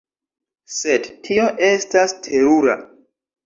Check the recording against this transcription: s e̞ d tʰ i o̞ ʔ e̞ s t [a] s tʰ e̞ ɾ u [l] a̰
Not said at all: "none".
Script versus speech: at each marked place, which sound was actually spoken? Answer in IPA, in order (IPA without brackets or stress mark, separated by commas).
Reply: a, ɾ